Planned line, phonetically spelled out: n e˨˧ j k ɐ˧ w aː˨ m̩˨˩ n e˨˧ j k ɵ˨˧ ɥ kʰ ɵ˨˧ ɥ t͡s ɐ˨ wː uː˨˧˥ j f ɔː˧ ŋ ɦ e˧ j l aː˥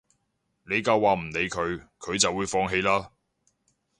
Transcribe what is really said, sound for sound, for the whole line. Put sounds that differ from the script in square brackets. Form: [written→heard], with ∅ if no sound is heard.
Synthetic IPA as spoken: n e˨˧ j k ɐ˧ w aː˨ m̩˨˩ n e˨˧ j [k→kʰ] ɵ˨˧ ɥ kʰ ɵ˨˧ ɥ t͡s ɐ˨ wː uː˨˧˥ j f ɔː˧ ŋ ɦ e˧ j l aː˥